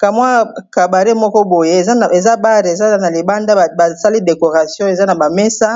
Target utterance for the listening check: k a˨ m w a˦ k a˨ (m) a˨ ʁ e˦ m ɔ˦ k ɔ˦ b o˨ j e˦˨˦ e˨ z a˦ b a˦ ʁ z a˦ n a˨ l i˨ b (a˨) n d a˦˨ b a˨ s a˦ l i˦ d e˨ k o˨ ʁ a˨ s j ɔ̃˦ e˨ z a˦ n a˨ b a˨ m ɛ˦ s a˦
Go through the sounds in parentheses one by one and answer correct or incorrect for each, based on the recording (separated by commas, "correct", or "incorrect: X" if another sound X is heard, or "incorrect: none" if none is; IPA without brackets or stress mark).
incorrect: b, incorrect: a˦